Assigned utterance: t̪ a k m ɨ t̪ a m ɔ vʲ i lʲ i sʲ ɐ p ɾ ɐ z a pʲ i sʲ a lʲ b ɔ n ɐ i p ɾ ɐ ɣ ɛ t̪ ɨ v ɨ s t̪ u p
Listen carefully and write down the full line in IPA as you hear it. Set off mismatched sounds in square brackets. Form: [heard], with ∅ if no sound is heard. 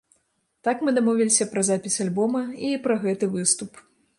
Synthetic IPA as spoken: t̪ a k m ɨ [d̪] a m ɔ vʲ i lʲ i sʲ ɐ p ɾ ɐ z a pʲ i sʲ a lʲ b ɔ [m] ɐ i p ɾ ɐ ɣ ɛ t̪ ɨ v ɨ s t̪ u p

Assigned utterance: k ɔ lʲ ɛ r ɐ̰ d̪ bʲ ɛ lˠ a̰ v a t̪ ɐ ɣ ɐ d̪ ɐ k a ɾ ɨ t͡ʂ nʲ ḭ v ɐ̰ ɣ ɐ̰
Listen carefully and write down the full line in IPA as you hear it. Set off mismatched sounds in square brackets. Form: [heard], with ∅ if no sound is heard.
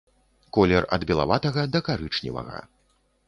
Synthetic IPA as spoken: k ɔ lʲ ɛ r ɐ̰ d̪ bʲ ɛ lˠ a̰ v a t̪ ɐ ɣ ɐ d̪ ɐ k a ɾ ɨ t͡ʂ nʲ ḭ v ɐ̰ ɣ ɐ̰

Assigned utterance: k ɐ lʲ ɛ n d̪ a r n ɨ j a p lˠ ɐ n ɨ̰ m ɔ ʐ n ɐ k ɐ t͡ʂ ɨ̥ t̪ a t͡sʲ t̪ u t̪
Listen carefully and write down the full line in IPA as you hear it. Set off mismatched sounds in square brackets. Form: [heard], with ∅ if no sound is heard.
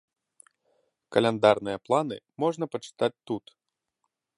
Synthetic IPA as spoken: k ɐ lʲ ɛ n d̪ a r n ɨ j [ɐ] p lˠ [a] n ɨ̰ m ɔ ʐ n ɐ [p] ɐ t͡ʂ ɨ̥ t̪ a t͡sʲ t̪ u t̪

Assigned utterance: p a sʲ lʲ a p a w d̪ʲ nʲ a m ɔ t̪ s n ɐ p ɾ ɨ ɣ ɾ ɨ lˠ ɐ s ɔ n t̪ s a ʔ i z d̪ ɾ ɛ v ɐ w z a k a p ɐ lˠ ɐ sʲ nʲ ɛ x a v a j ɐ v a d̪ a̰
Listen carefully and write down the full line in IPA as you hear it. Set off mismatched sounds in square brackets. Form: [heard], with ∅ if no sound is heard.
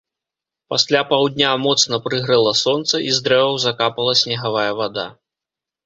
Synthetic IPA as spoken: p a sʲ lʲ a p a w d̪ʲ nʲ a m ɔ t̪ s n ɐ p ɾ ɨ ɣ ɾ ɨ lˠ ɐ s ɔ n t̪ s [ɐ] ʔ i z d̪ ɾ ɛ v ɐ w z a k a p ɐ lˠ ɐ sʲ nʲ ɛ [ɣ] a v a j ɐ v a d̪ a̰

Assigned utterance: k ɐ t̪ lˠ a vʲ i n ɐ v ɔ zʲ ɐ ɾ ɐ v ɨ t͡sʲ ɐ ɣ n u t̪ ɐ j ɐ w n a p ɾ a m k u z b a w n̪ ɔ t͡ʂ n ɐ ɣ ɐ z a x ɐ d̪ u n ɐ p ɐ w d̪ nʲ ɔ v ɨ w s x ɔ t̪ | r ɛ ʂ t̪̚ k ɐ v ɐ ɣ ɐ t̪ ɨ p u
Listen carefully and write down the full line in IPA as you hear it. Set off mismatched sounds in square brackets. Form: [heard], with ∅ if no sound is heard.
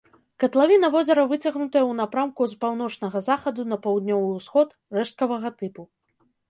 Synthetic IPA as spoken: k ɐ t̪ lˠ a vʲ i n ɐ v ɔ zʲ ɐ ɾ ɐ v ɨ t͡sʲ ɐ ɣ n u t̪ ɐ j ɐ w n a p ɾ a m k u z [p] a w n̪ ɔ t͡ʂ n ɐ ɣ ɐ z a x ɐ d̪ u n ɐ p ɐ w d̪ nʲ ɔ v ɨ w s x ɔ t̪ | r ɛ ʂ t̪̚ k ɐ v ɐ ɣ ɐ t̪ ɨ p u

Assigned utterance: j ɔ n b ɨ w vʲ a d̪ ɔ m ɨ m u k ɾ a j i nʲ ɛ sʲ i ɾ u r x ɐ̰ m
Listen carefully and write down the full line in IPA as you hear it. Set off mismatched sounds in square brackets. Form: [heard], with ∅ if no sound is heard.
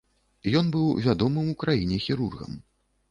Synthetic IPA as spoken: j ɔ n b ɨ w vʲ a d̪ ɔ m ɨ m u k ɾ a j i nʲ ɛ [xʲ] i ɾ u r [ɣ] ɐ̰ m

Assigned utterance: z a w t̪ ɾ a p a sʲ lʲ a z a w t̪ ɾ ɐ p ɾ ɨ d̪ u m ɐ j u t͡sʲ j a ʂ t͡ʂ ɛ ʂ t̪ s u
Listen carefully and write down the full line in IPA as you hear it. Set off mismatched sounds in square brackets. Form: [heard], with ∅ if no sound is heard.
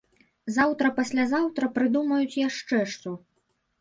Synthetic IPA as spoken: z a w t̪ ɾ [ɐ] p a sʲ lʲ a z a w t̪ ɾ ɐ p ɾ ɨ d̪ u m ɐ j u t͡sʲ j a ʂ t͡ʂ ɛ ʂ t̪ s u

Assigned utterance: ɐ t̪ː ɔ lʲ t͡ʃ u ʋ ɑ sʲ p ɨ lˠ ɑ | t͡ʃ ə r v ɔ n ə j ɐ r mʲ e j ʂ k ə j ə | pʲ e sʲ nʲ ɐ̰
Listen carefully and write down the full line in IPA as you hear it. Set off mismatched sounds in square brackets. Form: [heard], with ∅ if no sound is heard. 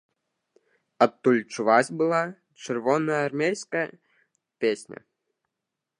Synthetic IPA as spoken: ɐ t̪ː [u] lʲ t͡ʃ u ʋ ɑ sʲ [b] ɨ lˠ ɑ | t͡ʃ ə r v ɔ n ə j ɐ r mʲ e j [s] k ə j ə | pʲ e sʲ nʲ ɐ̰

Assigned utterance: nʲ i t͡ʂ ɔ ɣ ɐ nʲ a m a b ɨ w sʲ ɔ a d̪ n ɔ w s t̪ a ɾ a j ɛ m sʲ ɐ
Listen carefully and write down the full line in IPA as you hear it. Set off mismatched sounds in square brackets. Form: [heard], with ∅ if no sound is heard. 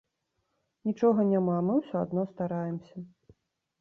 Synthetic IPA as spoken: nʲ i t͡ʂ ɔ ɣ ɐ nʲ a m a [m] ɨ w sʲ ɔ a d̪ n ɔ [∅] s t̪ a ɾ a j ɛ m sʲ ɐ

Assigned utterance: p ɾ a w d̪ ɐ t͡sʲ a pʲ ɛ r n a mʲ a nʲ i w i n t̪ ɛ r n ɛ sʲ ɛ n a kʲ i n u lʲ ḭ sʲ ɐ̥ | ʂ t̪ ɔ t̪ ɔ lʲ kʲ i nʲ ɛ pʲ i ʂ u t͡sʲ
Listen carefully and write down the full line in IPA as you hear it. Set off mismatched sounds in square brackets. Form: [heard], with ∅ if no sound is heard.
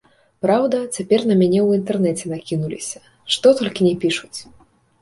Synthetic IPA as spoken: p ɾ a w d̪ ɐ t͡sʲ a pʲ ɛ r n [ɐ] mʲ a nʲ [ɛ] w i n t̪ ɛ r n ɛ [t͡sʲ] ɛ n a kʲ i n u lʲ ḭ sʲ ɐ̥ | ʂ t̪ ɔ t̪ ɔ lʲ kʲ i nʲ ɛ pʲ i ʂ u t͡sʲ

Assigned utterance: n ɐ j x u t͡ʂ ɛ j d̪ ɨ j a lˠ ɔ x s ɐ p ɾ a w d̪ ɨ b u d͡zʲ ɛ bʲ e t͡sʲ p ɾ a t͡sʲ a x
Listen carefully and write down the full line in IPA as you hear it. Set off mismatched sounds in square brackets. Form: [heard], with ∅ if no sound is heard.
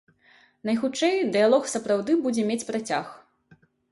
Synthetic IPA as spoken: n ɐ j x u t͡ʂ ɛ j d̪ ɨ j a lˠ ɔ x s ɐ p ɾ a w d̪ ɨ b u d͡zʲ ɛ [mʲ] e t͡sʲ p ɾ a t͡sʲ a x

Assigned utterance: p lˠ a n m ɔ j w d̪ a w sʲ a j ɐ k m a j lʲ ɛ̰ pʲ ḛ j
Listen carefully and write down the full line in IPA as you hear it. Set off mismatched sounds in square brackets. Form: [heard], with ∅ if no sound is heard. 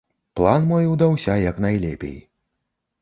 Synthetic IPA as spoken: p lˠ a n m ɔ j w d̪ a w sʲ a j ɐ k [n] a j lʲ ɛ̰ pʲ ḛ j

